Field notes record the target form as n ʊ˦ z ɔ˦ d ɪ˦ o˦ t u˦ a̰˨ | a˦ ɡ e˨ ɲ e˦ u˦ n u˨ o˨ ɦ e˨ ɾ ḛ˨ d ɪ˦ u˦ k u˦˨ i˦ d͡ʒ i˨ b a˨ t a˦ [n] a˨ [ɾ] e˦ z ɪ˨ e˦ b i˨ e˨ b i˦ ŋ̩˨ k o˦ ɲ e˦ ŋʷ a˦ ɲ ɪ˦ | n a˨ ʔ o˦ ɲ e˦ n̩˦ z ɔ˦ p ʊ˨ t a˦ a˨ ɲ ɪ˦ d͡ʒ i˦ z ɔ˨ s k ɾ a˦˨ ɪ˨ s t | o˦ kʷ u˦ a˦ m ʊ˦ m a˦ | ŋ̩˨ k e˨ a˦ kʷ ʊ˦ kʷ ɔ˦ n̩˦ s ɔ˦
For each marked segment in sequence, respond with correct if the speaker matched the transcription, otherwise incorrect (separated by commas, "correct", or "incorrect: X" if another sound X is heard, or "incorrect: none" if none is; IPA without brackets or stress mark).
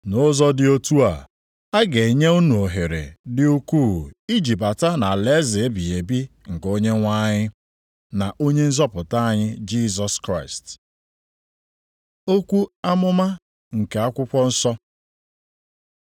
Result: correct, incorrect: l